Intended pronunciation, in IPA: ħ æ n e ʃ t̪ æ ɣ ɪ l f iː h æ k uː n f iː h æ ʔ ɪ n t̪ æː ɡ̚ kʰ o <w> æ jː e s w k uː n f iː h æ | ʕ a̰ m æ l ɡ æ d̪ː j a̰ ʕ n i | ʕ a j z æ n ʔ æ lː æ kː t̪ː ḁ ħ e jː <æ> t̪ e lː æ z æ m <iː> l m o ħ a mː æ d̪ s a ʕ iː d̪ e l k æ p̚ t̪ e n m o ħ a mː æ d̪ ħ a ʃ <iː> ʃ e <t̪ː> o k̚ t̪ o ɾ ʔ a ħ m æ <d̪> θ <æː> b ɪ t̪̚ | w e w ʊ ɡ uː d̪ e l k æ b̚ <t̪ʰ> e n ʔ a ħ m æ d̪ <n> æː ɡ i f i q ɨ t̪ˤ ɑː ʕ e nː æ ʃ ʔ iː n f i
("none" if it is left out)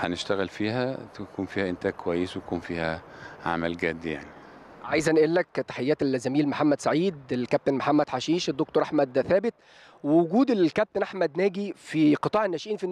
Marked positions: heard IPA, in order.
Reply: w, æː, iː, iː, d̪ː, d̪, æː, t̪, n

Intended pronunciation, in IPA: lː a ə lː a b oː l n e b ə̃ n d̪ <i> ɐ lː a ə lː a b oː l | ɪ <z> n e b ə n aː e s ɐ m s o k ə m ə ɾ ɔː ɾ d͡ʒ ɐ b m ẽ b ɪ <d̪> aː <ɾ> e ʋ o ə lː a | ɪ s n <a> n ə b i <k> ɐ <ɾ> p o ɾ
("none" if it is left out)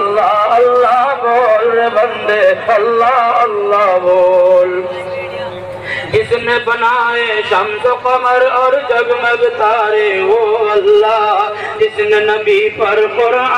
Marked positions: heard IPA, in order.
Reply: e, s, t̪, ɾ, e, p, ɾ

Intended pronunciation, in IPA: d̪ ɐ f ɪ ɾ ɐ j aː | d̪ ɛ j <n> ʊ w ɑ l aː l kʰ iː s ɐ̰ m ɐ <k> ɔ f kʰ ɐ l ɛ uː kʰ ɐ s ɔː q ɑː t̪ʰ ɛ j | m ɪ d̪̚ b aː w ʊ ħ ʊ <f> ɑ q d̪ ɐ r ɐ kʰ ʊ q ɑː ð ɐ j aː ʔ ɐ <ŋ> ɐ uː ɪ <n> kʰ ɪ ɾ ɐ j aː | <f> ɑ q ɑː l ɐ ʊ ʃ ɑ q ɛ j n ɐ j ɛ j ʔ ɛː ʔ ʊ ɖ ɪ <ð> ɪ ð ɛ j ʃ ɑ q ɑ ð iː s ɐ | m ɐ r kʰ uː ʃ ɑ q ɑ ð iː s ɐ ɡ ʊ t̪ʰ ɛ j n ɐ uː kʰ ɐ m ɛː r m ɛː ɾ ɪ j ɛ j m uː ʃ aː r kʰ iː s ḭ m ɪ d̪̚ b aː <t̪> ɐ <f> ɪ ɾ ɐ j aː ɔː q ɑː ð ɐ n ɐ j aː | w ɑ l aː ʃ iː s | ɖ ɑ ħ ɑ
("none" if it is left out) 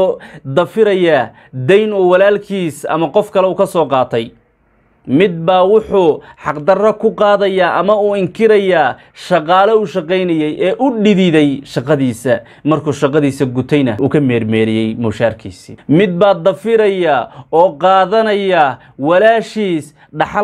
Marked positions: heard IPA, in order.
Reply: n, q, ħ, m, ŋ, ʃ, ð, d̪, f

